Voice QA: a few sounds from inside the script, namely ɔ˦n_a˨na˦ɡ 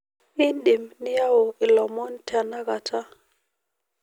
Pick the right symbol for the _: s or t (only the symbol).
t